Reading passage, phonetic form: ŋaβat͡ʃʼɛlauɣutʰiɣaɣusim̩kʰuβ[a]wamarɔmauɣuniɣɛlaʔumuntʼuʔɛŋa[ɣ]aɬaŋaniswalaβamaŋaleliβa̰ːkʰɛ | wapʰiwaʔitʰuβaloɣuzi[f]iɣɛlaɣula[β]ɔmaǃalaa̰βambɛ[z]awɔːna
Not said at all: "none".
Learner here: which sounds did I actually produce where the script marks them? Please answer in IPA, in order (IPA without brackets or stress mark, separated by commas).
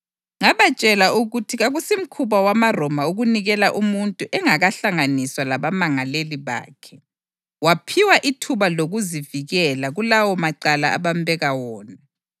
a, ɣ, v, w, ɣ